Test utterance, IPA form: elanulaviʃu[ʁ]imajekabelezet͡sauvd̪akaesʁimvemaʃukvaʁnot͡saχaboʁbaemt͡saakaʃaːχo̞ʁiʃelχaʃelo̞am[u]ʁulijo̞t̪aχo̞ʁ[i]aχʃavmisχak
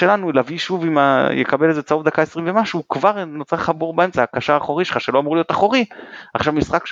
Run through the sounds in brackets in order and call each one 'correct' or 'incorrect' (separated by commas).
incorrect, correct, correct